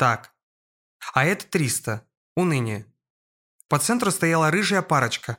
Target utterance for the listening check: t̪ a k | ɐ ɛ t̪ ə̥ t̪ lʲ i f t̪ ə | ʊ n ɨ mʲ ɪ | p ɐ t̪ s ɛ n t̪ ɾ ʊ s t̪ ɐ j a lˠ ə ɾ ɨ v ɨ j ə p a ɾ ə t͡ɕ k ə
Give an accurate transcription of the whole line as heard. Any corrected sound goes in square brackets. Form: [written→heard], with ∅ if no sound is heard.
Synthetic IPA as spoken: t̪ a k | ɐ ɛ t̪ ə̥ t̪ [lʲ→ɾʲ] i [f→s] t̪ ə | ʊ n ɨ [mʲ→nʲ] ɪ | p ɐ t̪ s ɛ n t̪ ɾ ʊ s t̪ ɐ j a lˠ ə ɾ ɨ [v→ʐ] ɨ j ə p a ɾ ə t͡ɕ k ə